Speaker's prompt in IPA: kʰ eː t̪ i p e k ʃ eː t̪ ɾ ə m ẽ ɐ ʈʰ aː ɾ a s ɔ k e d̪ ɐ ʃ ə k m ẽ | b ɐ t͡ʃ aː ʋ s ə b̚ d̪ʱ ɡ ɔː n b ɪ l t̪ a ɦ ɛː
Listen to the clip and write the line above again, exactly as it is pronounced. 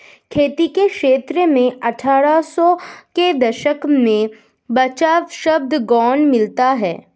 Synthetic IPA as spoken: kʰ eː t̪ i k e k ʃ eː t̪ ɾ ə m ẽ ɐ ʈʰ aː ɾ a s ɔ k e d̪ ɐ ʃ ə k m ẽ | b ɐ t͡ʃ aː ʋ ʃ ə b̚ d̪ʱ ɡ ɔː n m ɪ l t̪ a ɦ ɛː